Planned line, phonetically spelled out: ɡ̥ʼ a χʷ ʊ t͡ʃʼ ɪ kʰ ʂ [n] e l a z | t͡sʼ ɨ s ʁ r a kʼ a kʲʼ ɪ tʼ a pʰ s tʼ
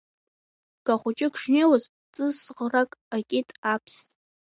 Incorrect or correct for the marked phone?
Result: correct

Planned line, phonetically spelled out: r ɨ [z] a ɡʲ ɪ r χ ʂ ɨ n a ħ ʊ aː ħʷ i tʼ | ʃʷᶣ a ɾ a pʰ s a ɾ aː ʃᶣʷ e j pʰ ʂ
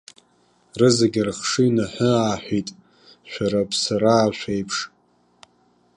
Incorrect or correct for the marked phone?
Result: correct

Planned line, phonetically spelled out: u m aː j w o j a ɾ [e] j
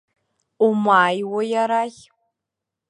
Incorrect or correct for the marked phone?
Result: incorrect: a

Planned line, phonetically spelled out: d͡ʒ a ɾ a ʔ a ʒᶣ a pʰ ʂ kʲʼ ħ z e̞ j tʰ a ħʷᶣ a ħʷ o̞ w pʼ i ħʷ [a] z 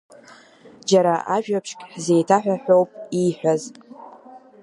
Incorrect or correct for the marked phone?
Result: correct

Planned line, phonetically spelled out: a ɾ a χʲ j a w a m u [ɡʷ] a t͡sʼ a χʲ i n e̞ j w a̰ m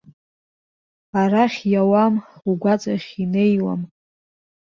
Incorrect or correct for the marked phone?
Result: correct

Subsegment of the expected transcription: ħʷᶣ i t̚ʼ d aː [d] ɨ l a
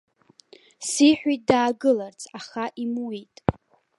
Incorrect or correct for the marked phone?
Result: incorrect: ɡ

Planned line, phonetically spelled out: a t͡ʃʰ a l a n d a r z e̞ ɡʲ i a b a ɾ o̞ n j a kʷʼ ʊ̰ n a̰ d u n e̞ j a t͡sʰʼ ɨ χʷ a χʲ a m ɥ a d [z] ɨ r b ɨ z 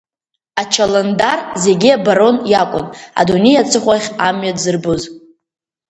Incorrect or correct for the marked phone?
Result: correct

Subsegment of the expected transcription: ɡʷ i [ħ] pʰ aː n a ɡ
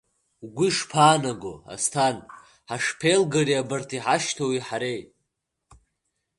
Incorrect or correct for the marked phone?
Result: incorrect: ʂ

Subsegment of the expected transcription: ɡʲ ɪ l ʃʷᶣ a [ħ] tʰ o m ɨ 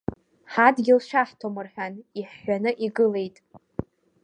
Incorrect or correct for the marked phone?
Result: correct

